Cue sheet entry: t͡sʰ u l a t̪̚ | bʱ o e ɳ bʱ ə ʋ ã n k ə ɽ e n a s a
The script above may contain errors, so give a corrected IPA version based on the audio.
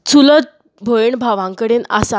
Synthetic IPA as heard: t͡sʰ u l ə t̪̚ | bʱ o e ɳ bʱ a ʋ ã ŋ k ə ɽ e n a s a